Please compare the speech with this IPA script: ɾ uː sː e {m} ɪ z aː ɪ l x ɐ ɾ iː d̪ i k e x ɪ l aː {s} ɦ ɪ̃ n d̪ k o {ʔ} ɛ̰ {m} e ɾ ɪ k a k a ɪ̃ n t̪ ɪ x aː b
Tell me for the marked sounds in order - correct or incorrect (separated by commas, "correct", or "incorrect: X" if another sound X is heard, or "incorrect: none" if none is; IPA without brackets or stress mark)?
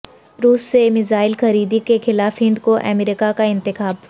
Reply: correct, incorrect: f, correct, correct